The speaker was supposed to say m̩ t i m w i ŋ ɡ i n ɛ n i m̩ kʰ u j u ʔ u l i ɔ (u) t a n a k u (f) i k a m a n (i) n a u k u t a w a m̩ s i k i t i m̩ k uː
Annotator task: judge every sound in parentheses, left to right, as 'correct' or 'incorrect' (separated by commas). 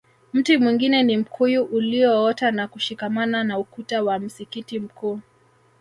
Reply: incorrect, incorrect, incorrect